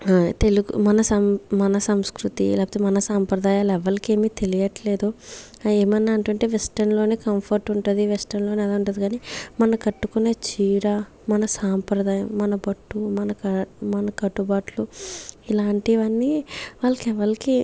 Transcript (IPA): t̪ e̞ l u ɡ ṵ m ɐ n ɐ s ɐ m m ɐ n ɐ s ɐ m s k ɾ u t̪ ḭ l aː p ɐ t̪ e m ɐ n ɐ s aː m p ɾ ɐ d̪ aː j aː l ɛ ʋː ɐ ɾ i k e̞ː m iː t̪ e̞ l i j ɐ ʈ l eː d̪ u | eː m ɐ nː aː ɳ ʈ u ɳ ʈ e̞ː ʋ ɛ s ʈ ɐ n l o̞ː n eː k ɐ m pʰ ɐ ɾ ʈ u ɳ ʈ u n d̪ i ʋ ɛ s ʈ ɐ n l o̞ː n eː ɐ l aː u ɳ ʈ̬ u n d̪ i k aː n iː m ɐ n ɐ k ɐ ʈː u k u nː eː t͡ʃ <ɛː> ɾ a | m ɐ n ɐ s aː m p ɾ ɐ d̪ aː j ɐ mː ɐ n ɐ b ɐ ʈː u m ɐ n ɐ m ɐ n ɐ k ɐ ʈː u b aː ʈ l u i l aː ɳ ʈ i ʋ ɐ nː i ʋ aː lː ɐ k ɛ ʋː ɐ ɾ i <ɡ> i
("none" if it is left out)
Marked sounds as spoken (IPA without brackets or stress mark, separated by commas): iː, k